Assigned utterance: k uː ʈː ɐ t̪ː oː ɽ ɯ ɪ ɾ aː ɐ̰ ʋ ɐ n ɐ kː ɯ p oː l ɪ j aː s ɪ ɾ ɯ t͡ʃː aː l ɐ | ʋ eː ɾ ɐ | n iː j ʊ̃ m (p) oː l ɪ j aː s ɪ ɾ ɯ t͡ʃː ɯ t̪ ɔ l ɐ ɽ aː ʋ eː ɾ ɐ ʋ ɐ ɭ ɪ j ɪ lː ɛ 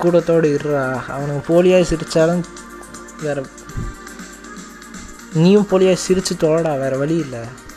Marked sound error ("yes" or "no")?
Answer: no